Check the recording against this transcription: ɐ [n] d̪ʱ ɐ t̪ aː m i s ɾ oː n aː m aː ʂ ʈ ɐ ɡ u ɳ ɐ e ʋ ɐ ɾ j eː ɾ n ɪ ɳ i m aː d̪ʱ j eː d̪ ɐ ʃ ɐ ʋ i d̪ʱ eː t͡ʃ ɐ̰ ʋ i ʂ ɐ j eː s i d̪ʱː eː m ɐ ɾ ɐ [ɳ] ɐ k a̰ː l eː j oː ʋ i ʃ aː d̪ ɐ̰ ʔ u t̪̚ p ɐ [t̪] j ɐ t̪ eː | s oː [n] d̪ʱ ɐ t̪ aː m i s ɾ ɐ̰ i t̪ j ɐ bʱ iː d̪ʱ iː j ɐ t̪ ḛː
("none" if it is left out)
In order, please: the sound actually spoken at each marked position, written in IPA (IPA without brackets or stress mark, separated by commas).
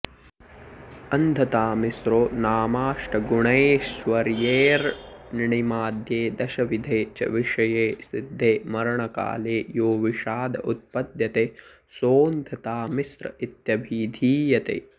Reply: n, ɳ, d̪, n